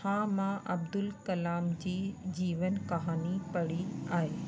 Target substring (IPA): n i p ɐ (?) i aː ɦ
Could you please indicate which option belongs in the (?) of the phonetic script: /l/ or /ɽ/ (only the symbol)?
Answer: ɽ